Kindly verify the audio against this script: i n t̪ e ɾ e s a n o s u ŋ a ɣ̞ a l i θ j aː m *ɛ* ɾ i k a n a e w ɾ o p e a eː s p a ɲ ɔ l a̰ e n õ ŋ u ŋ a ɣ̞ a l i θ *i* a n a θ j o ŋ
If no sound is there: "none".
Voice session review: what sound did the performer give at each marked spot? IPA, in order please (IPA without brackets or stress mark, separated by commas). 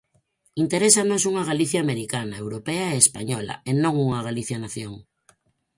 e, j